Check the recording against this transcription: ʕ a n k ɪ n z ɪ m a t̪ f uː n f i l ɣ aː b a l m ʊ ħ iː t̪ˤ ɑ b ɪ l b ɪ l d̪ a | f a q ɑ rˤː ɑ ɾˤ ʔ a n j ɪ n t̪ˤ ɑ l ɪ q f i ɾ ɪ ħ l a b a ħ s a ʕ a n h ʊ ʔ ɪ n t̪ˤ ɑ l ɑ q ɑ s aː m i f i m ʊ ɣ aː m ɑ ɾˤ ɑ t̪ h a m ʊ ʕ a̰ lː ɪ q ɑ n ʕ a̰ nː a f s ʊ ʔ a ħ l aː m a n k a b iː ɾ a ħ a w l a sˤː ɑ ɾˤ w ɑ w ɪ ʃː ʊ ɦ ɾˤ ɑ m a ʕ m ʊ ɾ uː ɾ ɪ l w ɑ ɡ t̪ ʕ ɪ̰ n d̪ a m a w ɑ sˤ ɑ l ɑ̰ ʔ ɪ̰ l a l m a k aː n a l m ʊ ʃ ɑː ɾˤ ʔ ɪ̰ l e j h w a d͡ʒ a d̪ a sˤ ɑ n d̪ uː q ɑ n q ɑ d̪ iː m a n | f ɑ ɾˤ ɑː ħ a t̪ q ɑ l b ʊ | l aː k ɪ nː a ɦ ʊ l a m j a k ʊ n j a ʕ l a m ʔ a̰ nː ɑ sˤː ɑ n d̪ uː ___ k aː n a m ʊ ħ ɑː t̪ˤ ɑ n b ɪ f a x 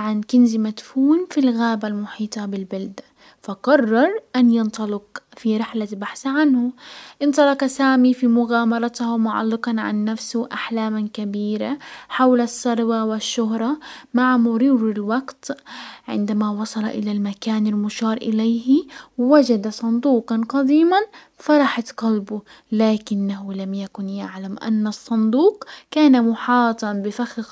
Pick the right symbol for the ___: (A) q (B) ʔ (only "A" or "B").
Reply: A